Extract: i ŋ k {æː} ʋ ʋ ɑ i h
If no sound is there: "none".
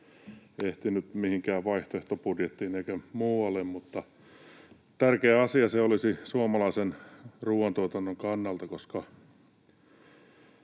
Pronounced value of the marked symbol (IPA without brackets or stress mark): æː